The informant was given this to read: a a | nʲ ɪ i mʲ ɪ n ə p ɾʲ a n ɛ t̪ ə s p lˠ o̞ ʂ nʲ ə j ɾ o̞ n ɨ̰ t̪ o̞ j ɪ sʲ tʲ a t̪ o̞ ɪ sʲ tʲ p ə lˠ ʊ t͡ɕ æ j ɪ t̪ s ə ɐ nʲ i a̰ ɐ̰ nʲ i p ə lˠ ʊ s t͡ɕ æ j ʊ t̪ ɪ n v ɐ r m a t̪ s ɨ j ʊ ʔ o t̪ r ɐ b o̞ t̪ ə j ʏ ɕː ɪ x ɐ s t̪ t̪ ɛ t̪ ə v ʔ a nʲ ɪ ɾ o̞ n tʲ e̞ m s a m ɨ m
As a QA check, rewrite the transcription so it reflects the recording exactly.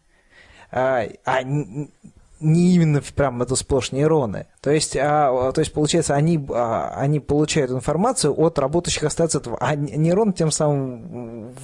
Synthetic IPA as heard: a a | nʲ ɪ i mʲ ɪ nː ə p ɾʲ a m ɛ t̪ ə s p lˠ o̞ ʂ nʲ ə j ɾ o̞ n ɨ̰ t̪ o̞ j ɪ sʲ tʲ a t̪ o̞ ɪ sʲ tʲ p ə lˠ ʊ t͡ɕ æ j ɪ t̪ s ə ɐ nʲ i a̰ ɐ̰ nʲ i p ə lˠ ʊ t͡ɕ æ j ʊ t̪ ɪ n f ɐ r m a t̪ s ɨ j ʊ ʔ o t̪ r ɐ b o̞ t̪ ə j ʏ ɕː ɪ x ɐ s t̪ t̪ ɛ t̪ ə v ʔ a nʲ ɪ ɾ o̞ n tʲ e̞ m s a m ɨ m